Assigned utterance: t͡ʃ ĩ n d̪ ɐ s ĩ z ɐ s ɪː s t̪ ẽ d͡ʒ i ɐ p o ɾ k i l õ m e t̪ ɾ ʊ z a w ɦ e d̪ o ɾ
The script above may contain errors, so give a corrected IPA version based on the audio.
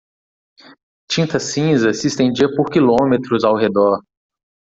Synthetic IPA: t͡ʃ ĩ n t̪ ɐ s ĩ z ɐ s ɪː s t̪ ẽ d͡ʒ i ɐ p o ɾ k i l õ m e t̪ ɾ ʊ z a w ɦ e d̪ ɔ ɾ